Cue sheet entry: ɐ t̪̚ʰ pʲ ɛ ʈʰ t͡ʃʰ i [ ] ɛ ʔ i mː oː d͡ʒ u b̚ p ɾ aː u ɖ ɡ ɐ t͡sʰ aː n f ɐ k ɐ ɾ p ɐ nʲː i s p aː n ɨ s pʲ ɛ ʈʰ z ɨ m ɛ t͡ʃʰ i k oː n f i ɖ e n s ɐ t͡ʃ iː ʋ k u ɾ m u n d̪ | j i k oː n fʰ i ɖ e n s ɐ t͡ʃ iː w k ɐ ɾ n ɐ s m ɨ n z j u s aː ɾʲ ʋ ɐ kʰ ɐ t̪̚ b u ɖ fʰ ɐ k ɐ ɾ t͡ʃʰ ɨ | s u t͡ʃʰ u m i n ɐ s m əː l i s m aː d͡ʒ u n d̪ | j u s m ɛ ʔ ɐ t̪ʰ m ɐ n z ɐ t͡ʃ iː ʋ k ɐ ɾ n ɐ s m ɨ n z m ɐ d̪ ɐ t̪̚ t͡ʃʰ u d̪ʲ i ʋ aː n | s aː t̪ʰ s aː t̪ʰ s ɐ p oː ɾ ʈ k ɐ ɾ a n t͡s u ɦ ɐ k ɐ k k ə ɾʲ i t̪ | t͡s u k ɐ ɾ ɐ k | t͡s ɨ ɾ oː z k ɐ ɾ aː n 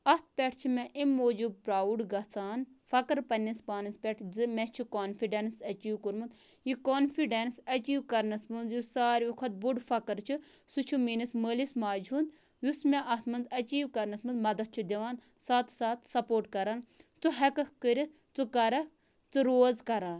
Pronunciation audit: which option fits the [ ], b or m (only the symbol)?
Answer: m